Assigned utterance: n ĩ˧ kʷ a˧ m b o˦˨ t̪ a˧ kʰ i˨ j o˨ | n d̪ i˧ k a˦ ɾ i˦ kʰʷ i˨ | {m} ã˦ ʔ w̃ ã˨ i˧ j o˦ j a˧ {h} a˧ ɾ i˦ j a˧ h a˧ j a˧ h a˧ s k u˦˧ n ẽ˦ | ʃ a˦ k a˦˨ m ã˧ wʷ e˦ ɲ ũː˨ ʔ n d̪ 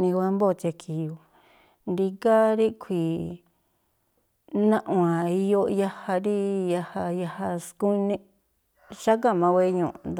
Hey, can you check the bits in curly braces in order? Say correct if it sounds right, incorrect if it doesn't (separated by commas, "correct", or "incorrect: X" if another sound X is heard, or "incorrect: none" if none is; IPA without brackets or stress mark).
incorrect: n, correct